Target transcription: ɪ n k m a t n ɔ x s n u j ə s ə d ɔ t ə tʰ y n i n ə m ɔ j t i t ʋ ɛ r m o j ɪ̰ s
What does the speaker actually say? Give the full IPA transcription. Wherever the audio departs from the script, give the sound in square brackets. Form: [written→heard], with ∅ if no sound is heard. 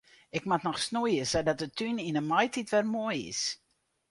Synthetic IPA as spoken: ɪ [n→∅] k m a t n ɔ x s n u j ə s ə d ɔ t ə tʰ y n i n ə m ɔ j t i t ʋ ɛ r m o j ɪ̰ s